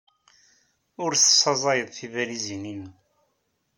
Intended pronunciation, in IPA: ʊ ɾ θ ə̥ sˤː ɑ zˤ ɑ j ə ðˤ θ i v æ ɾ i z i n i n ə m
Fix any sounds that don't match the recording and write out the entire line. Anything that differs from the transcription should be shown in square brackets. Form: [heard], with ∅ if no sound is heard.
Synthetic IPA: ʊ ɾ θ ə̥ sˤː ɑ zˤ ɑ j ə ðˤ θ i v æ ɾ i z i n i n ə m